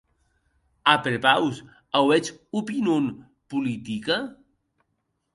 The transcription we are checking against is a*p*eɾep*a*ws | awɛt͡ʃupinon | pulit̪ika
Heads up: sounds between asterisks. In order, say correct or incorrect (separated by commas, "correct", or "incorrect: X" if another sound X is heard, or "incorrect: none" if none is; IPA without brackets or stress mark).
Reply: correct, correct